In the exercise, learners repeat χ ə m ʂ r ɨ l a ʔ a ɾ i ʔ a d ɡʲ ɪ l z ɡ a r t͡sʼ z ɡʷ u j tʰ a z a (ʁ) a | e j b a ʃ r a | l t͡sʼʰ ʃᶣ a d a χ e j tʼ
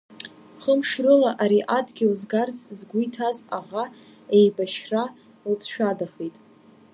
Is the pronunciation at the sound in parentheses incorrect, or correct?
correct